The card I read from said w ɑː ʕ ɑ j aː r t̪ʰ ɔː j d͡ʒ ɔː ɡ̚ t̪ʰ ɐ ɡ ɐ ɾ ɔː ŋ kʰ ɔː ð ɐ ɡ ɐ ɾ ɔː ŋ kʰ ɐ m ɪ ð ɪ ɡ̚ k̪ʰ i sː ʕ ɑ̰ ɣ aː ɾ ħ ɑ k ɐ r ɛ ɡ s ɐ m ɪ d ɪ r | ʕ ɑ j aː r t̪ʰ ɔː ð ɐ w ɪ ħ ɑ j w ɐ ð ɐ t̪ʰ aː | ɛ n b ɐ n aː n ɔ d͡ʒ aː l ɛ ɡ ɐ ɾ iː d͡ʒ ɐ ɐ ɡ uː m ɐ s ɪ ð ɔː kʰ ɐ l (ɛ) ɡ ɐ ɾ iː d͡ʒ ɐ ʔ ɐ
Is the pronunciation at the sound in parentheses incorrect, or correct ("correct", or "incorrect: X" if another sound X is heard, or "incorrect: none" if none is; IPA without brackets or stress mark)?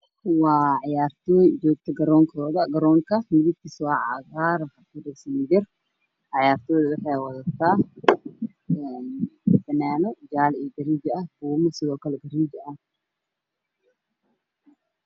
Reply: correct